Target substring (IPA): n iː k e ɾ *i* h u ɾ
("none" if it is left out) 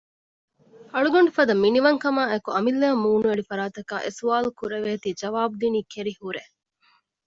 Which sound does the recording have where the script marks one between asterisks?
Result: i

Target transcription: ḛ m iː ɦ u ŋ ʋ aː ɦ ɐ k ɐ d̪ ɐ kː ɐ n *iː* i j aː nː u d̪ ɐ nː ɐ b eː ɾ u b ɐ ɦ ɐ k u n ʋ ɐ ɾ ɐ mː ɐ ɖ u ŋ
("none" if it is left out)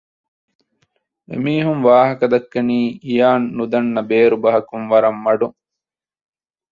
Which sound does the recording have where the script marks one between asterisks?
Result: iː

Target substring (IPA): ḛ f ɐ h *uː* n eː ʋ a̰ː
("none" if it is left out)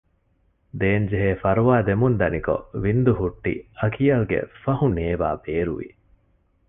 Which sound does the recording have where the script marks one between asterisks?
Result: u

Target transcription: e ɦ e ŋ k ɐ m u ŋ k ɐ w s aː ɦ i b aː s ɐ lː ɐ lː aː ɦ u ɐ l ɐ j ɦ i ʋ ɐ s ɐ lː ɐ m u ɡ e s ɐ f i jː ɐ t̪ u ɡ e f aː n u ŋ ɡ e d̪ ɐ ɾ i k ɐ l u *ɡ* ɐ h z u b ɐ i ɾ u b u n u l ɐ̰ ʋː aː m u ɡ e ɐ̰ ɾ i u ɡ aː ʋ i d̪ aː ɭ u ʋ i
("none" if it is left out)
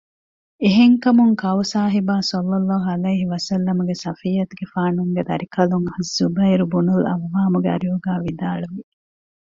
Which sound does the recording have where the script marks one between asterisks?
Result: ŋ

